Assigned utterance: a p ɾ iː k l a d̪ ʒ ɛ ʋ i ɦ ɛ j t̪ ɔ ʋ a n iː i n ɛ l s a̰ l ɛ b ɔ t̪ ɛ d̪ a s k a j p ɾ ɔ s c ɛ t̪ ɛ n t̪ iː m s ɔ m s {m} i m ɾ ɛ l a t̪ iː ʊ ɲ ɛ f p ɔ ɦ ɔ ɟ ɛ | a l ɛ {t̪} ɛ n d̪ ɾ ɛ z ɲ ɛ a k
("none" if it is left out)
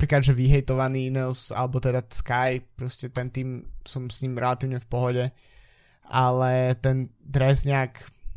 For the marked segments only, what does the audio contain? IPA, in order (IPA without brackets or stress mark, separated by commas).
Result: ɲ, t̪